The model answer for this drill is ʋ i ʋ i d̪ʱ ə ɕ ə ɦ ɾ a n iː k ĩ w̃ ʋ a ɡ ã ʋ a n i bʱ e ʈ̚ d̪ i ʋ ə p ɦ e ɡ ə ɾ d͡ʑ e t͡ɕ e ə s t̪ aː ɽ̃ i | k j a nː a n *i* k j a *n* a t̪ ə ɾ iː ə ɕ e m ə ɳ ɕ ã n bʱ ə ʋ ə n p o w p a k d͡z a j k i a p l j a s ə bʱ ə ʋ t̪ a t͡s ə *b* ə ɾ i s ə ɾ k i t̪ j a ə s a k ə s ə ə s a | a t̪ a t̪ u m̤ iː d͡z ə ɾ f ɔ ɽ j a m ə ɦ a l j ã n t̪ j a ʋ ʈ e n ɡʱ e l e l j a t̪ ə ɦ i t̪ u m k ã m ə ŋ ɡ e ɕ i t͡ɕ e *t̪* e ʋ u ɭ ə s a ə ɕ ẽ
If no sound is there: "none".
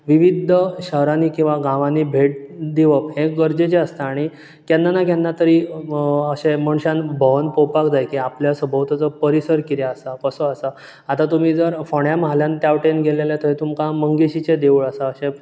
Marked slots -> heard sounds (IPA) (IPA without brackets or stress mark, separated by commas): a, nː, p, d̪